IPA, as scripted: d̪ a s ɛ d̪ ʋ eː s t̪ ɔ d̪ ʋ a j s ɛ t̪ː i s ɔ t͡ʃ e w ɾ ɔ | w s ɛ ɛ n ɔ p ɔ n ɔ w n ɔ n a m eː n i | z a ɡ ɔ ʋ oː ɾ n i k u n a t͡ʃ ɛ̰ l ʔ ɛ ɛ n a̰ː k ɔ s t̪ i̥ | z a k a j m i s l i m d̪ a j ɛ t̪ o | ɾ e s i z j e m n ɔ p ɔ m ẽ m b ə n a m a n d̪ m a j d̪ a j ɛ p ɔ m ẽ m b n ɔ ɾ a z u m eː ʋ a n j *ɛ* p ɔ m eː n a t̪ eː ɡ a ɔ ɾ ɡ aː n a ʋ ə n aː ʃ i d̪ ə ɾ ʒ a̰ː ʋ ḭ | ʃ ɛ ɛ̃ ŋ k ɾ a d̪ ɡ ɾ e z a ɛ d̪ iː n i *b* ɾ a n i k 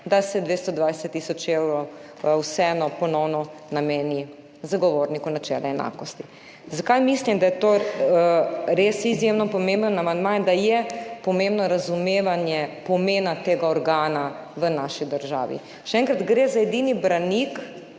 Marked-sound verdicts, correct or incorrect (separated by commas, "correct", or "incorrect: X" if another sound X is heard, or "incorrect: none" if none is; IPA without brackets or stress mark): correct, correct